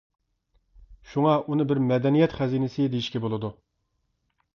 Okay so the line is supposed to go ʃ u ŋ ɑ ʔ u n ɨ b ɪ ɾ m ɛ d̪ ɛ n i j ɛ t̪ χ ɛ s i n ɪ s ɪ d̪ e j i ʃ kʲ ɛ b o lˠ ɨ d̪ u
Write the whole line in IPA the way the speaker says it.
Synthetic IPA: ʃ u ŋ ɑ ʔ u n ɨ b ɪ ɾ m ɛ d̪ ɛ n i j ɛ t̪ χ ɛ z i n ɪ s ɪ d̪ e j i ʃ kʲ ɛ b o lˠ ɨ d̪ u